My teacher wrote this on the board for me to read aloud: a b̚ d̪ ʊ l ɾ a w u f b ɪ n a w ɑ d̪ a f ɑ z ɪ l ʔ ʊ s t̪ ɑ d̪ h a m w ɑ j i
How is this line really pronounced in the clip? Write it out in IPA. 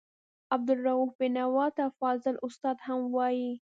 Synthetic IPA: a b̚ d̪ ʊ l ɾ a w u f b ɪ n a w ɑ t̪ a f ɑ z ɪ l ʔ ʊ s t̪ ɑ d̪ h a m w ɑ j i